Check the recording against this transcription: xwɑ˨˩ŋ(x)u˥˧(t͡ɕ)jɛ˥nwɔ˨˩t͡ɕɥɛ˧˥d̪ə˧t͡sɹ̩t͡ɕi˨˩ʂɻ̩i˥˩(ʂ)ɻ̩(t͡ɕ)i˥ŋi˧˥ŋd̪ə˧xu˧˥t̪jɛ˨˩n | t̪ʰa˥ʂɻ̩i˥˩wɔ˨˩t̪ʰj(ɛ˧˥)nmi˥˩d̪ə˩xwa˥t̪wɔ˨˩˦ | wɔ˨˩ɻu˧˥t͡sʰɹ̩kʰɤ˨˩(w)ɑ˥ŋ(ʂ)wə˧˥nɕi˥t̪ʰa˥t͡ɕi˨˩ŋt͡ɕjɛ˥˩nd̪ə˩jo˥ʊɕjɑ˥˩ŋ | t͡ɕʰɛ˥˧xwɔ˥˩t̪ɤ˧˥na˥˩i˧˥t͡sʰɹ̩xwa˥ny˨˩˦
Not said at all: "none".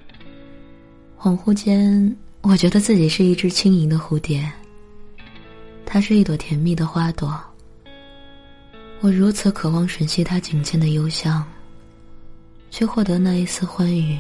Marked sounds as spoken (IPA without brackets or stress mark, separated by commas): x, t͡ɕ, ʈ͡ʂ, t͡ɕʰ, ɛ˧˥, w, ʂ